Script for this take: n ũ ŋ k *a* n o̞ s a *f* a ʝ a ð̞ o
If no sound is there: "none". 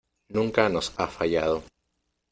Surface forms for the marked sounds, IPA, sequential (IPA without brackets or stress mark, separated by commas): a, f